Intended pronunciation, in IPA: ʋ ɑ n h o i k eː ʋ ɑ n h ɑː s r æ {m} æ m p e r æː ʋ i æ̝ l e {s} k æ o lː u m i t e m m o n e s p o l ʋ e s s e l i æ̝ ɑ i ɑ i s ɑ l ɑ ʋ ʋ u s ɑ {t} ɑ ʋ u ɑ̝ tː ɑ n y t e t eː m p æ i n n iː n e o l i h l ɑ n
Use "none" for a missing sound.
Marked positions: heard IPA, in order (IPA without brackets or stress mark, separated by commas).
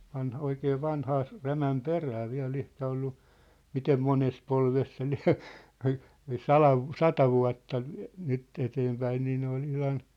m, h, t